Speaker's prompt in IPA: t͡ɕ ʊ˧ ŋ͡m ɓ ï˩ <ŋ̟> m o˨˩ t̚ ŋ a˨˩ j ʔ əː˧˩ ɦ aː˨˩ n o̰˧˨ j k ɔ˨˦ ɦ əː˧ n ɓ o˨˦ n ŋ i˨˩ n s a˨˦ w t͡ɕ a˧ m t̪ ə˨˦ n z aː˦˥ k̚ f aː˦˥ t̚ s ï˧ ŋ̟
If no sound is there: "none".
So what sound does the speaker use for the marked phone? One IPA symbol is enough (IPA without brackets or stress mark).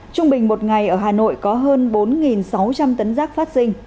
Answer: ŋ̟